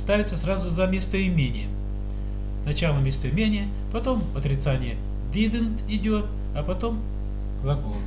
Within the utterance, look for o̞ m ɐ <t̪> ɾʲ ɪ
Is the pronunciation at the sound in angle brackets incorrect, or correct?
correct